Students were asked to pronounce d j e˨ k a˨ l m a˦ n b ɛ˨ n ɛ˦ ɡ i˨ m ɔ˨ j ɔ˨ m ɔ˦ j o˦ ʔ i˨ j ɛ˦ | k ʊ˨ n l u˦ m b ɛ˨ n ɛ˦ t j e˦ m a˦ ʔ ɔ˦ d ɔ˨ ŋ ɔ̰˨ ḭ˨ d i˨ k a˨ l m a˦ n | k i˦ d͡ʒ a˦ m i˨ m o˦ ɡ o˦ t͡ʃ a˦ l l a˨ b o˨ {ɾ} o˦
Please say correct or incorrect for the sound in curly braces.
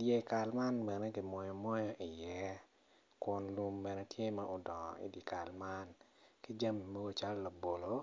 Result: incorrect